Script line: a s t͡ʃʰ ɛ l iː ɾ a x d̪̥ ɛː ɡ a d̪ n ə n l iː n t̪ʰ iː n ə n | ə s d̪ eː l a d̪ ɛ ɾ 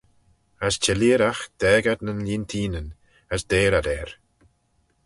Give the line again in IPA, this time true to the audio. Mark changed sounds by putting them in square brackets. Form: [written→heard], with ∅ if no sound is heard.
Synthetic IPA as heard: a s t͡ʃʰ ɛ l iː ɾ a x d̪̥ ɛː ɡ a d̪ n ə n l iː n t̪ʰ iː n ə n | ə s d̪ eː [l→ɾ] a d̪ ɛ ɾ